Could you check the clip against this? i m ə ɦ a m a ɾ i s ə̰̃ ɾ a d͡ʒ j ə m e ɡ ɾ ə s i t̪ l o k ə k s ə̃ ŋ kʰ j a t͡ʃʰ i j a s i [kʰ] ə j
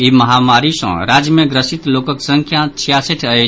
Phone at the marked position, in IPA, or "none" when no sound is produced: ʈʰ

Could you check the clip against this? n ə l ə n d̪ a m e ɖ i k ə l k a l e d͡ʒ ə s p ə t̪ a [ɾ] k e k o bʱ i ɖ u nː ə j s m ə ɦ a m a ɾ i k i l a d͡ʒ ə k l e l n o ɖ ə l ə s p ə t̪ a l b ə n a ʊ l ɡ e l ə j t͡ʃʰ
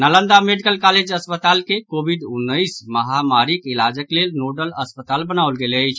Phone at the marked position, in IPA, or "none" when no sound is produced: l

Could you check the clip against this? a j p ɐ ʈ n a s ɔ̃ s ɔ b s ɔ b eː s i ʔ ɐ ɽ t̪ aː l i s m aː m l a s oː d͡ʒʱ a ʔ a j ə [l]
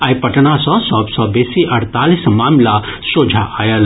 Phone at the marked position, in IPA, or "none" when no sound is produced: l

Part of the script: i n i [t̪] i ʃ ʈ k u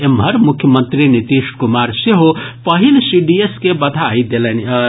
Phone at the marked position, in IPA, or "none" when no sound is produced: t̪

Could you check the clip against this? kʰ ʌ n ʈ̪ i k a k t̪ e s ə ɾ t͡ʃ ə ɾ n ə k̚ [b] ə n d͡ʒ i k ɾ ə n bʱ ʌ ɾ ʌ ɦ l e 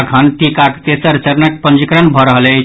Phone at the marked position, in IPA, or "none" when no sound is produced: p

